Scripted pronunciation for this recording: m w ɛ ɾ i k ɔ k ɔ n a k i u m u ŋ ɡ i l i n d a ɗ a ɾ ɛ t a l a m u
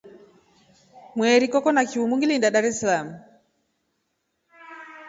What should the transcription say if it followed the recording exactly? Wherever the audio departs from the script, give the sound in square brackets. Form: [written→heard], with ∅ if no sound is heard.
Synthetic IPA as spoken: m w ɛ ɾ i k ɔ k ɔ n a k i u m u ŋ ɡ i l i n d a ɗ a ɾ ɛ [t→s] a l a m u